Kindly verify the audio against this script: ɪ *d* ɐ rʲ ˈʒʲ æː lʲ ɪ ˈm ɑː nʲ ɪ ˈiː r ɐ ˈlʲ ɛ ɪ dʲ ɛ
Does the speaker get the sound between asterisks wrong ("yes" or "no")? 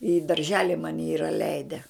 no